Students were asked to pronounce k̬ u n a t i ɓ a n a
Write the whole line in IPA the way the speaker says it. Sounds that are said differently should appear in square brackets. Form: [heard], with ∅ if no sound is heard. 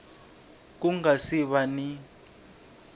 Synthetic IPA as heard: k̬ u [ŋ] a [s] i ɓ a n [i]